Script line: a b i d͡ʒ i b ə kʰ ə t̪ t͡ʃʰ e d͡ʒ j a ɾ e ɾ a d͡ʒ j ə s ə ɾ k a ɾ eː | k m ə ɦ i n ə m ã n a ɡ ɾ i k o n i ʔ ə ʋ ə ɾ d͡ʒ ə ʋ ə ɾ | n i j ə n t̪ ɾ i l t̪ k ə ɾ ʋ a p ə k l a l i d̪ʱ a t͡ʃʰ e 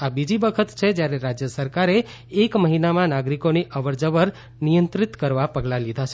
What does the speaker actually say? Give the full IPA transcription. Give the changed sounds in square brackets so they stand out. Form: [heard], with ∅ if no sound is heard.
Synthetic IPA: a b i d͡ʒ i b ə kʰ ə t̪ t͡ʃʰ e d͡ʒ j a ɾ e ɾ a d͡ʒ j ə s ə ɾ k a ɾ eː | k m ə ɦ i n [a] m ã n a ɡ ɾ i k o n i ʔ ə ʋ ə ɾ d͡ʒ ə ʋ ə ɾ | n i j ə n t̪ ɾ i [∅] t̪ k ə ɾ ʋ a p ə [ɡ] l a l i d̪ʱ a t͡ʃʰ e